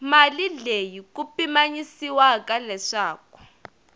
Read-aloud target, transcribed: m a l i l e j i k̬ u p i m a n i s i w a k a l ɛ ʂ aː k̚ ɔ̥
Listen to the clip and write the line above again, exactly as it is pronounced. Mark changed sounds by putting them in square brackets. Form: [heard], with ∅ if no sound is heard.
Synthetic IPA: m a l i l e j i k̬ u p i m a [ɲ] i s i w a k a l ɛ ʂ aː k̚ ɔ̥